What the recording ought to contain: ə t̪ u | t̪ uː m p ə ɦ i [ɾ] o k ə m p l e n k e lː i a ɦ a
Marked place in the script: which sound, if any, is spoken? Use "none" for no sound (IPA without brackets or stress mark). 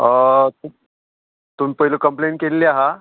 l